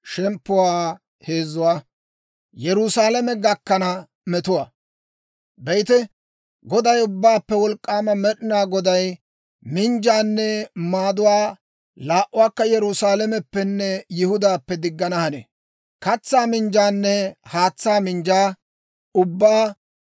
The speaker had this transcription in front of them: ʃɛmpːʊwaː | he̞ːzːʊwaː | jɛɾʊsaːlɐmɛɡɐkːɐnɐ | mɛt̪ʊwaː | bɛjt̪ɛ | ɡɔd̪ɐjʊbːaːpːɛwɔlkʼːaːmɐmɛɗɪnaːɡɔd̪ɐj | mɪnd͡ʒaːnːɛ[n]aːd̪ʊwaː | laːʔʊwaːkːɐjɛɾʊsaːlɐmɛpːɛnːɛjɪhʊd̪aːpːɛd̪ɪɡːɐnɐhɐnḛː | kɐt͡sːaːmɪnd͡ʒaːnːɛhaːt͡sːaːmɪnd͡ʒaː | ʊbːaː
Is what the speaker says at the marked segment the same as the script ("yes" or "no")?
no